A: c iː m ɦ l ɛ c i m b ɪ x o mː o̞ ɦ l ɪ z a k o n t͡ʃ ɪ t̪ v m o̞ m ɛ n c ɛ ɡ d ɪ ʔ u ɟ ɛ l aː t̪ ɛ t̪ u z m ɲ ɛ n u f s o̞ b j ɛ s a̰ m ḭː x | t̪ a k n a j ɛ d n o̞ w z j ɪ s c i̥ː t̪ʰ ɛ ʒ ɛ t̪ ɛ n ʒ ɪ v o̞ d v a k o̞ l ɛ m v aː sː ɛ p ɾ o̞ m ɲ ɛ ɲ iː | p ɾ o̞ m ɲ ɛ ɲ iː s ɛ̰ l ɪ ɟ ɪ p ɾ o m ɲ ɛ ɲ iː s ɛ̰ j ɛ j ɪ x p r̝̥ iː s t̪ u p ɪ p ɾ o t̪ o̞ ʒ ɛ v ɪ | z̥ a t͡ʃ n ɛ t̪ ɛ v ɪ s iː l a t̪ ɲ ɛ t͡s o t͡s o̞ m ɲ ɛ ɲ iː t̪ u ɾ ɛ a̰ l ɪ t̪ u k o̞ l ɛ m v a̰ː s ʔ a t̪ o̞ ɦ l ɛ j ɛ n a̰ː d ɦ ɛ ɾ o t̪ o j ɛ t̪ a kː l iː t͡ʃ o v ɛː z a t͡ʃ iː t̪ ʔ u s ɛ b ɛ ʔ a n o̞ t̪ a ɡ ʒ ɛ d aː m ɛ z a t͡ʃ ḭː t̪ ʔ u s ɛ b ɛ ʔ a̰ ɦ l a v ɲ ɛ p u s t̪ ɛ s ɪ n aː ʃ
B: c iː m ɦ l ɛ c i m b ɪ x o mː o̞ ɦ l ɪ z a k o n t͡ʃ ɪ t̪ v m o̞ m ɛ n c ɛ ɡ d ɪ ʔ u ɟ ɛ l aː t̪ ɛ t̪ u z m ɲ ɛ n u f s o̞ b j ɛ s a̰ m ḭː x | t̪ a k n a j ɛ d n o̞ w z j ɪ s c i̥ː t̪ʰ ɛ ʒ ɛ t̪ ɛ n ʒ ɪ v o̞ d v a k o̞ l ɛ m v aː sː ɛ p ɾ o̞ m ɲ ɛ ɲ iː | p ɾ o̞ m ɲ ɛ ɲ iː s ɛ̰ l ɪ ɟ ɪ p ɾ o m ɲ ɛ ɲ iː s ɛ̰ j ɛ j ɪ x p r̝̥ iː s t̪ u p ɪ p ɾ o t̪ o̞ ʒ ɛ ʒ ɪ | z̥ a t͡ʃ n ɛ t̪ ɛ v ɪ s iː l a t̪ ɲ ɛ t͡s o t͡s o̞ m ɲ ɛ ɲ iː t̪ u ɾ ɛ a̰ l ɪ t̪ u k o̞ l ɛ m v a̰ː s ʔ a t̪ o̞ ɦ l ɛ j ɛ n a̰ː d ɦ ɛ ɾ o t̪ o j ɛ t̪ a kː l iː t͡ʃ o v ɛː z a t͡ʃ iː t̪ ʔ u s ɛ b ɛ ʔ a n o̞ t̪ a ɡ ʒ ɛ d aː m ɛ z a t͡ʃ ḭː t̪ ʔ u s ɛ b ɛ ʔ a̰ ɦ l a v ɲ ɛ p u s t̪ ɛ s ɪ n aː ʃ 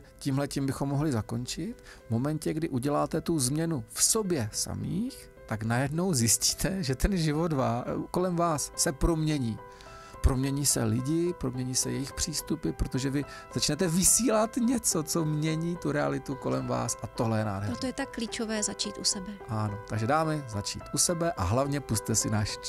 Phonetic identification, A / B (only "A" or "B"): A